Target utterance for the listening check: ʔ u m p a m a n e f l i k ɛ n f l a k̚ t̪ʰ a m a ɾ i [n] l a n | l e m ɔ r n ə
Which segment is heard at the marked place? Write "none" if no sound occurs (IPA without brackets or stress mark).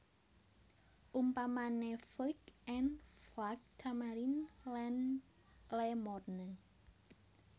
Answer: n